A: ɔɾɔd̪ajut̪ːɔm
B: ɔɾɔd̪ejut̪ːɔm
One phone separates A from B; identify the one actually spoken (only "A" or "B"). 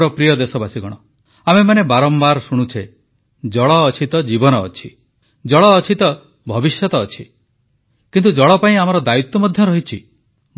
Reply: A